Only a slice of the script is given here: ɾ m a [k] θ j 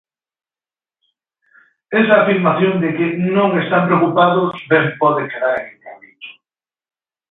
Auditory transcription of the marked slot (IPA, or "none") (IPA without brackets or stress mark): none